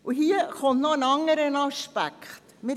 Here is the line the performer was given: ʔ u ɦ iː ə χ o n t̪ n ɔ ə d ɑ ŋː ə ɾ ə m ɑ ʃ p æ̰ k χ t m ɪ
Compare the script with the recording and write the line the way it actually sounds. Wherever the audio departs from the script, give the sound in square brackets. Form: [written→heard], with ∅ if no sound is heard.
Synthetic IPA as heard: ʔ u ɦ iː ə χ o n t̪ n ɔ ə [d→n] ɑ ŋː ə ɾ ə [m→n] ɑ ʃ p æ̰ k χ t m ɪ